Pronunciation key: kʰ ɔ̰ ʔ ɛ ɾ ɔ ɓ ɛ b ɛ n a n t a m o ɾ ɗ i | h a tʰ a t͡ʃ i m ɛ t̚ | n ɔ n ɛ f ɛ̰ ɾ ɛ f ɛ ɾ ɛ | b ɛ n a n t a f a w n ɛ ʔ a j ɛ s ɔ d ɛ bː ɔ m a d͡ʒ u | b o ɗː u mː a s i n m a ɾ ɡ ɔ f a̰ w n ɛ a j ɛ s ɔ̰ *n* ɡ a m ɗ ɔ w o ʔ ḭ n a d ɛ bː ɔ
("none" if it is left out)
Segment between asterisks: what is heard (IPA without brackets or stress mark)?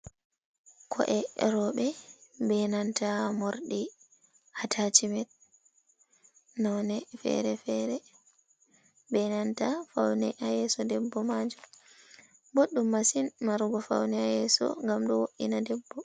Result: ŋ